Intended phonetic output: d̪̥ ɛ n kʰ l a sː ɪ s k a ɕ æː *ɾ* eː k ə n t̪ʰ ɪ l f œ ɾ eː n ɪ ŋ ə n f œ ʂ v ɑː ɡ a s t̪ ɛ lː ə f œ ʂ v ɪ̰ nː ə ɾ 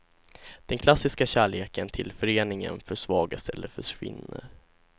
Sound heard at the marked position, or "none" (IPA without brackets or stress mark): ɭ